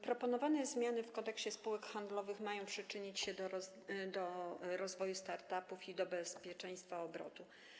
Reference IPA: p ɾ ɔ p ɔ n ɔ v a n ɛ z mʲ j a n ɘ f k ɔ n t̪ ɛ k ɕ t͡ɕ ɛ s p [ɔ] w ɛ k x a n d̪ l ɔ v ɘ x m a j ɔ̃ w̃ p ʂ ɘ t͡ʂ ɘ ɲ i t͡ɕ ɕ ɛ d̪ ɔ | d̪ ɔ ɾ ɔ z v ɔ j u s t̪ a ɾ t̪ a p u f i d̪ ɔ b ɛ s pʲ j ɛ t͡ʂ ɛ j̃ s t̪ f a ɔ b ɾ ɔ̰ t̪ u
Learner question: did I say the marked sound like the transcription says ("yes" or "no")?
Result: no